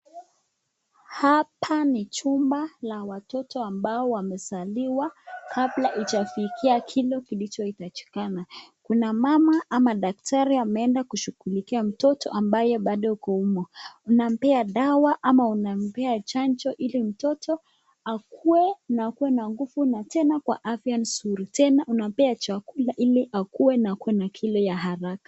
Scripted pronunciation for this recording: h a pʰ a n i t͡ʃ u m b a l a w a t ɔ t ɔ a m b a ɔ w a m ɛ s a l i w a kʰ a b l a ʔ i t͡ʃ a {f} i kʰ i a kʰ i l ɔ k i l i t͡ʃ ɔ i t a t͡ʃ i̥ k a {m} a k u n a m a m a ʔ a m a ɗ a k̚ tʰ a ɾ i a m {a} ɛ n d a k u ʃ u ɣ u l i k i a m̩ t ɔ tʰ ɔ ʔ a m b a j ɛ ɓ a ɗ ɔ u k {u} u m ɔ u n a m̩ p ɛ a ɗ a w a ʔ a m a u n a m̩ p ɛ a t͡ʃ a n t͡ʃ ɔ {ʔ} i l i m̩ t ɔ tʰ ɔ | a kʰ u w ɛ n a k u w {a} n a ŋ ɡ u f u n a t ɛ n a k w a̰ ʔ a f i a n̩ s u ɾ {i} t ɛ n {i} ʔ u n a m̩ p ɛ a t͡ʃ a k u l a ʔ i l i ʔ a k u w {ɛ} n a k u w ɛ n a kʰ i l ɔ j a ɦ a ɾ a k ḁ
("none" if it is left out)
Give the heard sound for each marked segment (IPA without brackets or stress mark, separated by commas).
f, n, ɛ, ɔ, ʔ, ɛ, i, a, ɛ